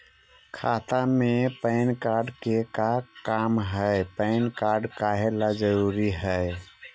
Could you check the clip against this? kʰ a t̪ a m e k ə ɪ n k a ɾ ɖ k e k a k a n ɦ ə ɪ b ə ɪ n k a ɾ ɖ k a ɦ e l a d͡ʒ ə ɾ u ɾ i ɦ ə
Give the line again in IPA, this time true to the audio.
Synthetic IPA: kʰ a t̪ a m e p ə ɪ n k a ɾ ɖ k e k a k a m ɦ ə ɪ p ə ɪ n k a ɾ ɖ k a ɦ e l a d͡ʒ ə ɾ u ɾ i ɦ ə